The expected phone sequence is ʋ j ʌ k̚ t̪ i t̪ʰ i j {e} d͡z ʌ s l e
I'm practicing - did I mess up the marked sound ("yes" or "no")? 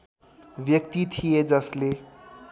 no